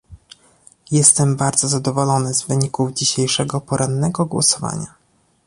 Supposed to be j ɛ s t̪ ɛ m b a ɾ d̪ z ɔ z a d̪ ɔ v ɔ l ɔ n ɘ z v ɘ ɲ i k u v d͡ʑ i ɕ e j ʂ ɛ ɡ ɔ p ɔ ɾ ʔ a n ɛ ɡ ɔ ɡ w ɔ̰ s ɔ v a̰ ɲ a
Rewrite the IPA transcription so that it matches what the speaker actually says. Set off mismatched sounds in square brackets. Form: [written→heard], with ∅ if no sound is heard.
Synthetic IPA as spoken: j ɛ s t̪ ɛ m b a ɾ d̪ z ɔ z a d̪ ɔ v ɔ l ɔ n ɘ z v ɘ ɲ i k u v d͡ʑ i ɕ e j ʂ ɛ ɡ ɔ p ɔ ɾ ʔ a [n→nː] ɛ ɡ ɔ ɡ w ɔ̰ s ɔ v a̰ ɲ a